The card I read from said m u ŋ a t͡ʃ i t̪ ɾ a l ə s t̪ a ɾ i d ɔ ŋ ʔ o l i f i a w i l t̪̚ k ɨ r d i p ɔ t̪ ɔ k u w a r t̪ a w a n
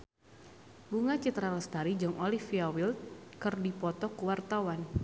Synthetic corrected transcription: b u ŋ a t͡ʃ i t̪ ɾ a l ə s t̪ a ɾ i d͡ʒ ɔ ŋ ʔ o l i f i a w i l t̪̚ k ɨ r d i p ɔ t̪ ɔ k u w a r t̪ a w a n